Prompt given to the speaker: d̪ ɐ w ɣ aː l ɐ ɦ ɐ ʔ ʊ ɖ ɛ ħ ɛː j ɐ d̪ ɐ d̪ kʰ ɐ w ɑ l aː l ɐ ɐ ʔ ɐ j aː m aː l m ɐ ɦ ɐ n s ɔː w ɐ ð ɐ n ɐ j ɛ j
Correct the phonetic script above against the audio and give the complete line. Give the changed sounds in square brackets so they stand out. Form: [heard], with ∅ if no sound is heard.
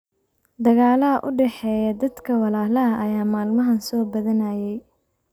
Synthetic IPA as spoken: d̪ ɐ [∅] ɣ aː l ɐ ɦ ɐ ʔ ʊ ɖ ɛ ħ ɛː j ɐ d̪ ɐ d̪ kʰ ɐ w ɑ l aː l ɐ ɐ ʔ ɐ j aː m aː l m ɐ ɦ ɐ n s ɔː [b] ɐ ð ɐ n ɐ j ɛ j